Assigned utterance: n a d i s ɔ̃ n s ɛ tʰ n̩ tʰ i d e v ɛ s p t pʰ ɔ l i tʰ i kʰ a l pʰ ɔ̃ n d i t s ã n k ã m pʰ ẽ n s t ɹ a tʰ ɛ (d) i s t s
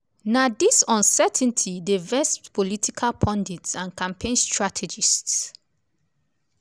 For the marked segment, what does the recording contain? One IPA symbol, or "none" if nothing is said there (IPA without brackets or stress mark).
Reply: d͡ʒ